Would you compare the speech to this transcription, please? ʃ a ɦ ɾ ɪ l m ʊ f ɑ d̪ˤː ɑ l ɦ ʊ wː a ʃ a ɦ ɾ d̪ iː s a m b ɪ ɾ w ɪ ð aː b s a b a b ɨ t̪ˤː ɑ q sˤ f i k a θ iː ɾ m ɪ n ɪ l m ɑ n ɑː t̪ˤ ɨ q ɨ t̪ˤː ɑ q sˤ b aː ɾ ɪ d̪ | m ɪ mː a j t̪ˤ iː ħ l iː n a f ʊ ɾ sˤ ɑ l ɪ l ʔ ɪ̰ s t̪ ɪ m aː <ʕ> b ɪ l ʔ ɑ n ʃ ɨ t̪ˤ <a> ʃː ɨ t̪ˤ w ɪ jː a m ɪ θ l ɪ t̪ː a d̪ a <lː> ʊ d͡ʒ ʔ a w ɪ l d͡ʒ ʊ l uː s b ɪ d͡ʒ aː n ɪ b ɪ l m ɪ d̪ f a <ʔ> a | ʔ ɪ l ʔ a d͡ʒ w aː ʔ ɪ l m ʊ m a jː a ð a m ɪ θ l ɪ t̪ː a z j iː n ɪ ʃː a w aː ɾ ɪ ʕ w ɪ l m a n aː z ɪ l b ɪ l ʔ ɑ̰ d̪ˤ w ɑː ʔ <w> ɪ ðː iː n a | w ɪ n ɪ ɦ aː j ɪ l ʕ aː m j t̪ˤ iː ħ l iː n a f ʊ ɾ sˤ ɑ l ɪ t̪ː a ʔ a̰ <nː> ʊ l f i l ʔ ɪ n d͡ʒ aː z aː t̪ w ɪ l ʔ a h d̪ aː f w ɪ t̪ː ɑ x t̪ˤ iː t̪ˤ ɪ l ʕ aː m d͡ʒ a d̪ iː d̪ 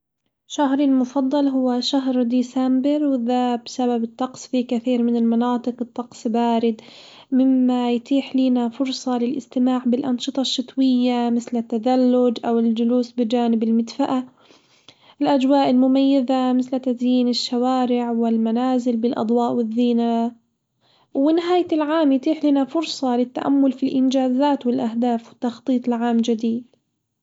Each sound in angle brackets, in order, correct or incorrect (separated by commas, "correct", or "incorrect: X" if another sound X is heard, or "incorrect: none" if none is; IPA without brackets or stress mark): correct, incorrect: ɑ, correct, correct, correct, incorrect: mː